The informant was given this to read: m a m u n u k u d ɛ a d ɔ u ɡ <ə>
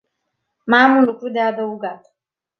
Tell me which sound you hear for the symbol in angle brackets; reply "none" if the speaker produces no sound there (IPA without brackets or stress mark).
a